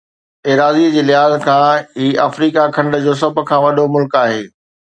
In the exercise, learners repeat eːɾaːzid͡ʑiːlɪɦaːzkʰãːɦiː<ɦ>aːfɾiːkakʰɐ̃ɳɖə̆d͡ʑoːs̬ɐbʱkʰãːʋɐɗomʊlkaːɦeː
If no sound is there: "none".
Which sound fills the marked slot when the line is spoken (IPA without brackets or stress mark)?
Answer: none